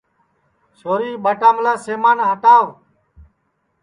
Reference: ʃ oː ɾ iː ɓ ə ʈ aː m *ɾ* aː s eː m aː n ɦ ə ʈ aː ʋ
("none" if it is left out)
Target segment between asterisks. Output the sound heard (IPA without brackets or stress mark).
l